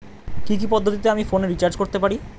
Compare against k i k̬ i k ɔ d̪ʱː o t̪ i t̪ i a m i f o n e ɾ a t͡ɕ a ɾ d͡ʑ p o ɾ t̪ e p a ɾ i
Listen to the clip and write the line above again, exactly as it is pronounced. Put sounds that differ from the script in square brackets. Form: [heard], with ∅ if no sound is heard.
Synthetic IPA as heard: k i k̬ i [p] ɔ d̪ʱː o t̪ i t̪ [e] a m i f o n e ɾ [i] t͡ɕ a ɾ d͡ʑ [k] o ɾ t̪ e p a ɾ i